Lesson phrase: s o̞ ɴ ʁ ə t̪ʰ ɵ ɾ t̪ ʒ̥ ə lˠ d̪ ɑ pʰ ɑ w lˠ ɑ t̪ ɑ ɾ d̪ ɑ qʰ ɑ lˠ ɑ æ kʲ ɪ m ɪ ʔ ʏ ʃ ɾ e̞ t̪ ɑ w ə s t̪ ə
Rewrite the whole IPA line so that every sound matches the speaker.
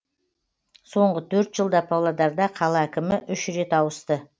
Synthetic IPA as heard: s o̞ ɴ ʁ ə t̪ʰ ɵ ɾ t̪ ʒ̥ ə lˠ d̪ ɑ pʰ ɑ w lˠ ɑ d̪ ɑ ɾ d̪ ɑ qʰ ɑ lˠ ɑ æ kʲ ɪ m ɪ ʔ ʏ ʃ ɾ e̞ t̪ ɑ w ə s t̪ ə